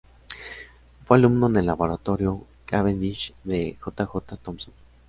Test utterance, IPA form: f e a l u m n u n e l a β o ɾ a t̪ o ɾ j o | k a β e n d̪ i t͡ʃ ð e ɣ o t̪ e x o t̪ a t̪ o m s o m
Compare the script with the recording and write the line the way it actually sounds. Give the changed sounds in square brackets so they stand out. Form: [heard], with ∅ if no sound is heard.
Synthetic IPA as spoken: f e a l u m n [o] n e l a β o ɾ a t̪ o ɾ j o | k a β e n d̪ i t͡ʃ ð e [x] o t̪ [a] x o t̪ a t̪ o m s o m